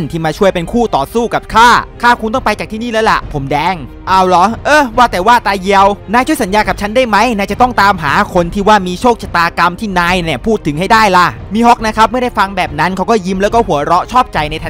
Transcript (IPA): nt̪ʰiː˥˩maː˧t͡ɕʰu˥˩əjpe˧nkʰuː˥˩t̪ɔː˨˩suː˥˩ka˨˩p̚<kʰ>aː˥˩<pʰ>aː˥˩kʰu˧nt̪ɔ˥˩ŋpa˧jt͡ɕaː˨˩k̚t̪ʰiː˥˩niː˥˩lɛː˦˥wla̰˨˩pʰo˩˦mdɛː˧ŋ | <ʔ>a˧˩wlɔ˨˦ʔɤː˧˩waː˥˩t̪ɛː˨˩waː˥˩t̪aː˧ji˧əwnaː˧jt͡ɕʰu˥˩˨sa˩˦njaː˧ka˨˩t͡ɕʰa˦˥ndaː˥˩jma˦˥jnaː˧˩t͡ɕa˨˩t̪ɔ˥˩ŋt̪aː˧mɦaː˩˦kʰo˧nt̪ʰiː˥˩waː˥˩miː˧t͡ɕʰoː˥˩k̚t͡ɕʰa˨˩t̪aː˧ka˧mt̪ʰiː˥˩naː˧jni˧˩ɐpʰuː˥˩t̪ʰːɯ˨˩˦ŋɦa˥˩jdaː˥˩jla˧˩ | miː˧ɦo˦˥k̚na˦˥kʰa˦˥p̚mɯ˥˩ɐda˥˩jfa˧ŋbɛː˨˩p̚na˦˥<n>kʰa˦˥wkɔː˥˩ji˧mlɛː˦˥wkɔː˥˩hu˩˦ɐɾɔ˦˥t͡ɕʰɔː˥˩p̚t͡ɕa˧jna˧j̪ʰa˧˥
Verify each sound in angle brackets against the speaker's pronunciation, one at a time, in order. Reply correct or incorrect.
correct, incorrect: kʰ, correct, correct

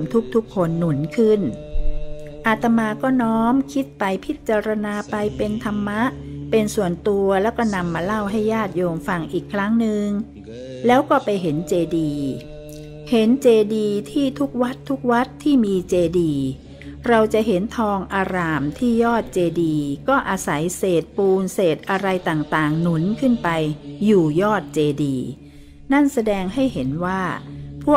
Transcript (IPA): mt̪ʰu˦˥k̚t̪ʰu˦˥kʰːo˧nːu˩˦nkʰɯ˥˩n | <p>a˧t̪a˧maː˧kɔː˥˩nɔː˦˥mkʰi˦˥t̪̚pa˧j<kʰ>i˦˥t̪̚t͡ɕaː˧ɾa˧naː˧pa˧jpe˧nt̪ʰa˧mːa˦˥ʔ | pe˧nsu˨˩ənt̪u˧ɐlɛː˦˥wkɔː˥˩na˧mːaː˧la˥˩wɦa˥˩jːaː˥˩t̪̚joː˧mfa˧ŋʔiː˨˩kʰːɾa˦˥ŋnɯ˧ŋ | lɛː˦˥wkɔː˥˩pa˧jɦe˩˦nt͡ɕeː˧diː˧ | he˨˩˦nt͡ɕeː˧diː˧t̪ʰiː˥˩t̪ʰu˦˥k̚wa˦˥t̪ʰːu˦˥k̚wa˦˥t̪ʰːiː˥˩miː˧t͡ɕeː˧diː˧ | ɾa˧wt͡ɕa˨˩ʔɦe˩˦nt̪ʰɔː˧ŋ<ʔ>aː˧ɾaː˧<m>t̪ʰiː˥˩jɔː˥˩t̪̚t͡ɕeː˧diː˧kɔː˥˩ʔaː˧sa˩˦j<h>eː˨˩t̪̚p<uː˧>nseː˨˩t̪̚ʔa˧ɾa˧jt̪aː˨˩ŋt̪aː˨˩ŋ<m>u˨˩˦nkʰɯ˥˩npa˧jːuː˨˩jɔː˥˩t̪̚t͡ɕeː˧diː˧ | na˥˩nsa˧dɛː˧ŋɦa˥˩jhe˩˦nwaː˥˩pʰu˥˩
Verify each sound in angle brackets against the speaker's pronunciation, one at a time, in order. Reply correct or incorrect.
incorrect: ʔ, incorrect: pʰ, correct, correct, incorrect: s, correct, incorrect: n

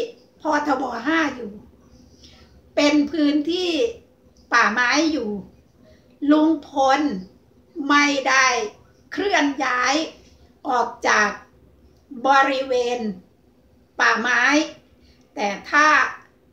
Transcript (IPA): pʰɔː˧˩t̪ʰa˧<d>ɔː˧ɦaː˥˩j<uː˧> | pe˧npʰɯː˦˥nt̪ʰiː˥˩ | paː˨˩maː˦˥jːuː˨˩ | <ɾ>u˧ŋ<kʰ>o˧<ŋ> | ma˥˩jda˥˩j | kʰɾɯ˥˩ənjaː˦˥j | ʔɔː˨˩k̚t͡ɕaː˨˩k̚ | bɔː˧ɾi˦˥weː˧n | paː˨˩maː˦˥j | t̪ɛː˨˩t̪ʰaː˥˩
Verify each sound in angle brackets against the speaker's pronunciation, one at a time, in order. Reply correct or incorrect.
incorrect: b, incorrect: uː˨˩, incorrect: l, incorrect: pʰ, incorrect: n

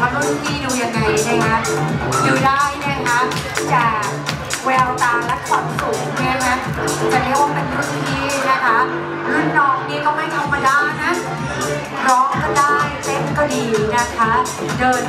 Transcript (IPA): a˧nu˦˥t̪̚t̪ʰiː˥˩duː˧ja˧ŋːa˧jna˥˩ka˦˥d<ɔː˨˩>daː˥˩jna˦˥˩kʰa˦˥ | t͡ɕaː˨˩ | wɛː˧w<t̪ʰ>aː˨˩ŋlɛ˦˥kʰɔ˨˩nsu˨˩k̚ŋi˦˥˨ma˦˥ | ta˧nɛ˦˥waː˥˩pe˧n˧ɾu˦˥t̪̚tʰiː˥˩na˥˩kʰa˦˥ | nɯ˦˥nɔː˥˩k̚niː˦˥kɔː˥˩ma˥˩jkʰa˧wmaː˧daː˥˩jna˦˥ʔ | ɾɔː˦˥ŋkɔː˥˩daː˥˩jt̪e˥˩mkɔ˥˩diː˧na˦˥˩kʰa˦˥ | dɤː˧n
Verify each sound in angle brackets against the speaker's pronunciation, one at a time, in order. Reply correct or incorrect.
incorrect: uː˨˩, incorrect: t̪

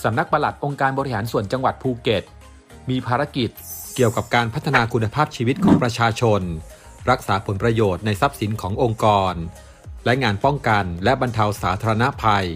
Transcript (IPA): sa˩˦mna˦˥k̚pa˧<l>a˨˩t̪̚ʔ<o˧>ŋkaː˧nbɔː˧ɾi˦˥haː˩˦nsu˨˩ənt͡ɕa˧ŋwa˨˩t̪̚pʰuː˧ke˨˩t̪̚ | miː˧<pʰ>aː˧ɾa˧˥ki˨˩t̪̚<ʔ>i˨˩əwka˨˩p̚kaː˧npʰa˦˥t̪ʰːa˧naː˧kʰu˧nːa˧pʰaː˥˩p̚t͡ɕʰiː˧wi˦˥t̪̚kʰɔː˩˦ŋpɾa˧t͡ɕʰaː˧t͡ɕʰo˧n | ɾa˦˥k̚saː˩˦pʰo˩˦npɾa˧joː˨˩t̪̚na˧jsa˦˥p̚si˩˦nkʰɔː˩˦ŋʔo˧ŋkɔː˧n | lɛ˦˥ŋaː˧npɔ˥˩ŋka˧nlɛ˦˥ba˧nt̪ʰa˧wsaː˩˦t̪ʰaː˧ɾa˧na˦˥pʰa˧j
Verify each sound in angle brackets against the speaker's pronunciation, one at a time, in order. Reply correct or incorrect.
correct, correct, correct, incorrect: k

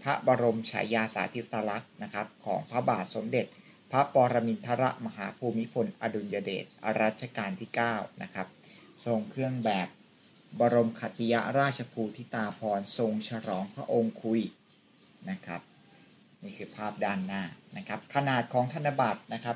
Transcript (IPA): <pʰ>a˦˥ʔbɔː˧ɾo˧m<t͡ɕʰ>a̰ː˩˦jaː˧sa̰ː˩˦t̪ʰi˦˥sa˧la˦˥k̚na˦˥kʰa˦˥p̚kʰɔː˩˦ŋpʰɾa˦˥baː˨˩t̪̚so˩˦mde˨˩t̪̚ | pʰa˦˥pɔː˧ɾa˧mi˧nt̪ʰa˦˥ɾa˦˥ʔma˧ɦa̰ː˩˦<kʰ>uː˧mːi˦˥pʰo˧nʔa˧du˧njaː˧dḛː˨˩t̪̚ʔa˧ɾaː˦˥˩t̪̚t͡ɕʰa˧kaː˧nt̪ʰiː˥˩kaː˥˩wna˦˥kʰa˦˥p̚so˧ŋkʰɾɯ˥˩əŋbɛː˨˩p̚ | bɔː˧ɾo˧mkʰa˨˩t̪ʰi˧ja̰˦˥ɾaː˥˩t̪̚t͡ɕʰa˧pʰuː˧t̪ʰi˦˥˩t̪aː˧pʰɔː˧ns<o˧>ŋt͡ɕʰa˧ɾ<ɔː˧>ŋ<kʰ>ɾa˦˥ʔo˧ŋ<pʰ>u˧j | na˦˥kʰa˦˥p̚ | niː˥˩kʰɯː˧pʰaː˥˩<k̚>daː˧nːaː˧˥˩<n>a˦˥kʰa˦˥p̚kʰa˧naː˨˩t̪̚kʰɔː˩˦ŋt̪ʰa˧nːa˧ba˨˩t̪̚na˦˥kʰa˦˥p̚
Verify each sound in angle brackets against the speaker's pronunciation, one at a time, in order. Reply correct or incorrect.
correct, correct, incorrect: pʰ, correct, incorrect: ɔː˩˦, incorrect: pʰ, incorrect: kʰ, incorrect: p̚, correct

